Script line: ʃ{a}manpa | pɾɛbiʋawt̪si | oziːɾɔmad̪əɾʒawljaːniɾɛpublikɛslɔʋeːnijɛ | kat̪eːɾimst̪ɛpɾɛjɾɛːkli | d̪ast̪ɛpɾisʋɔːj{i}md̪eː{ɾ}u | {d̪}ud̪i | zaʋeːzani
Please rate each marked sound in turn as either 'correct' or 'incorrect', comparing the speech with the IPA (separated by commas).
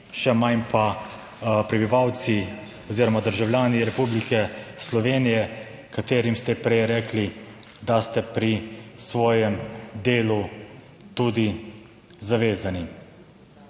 incorrect, incorrect, incorrect, incorrect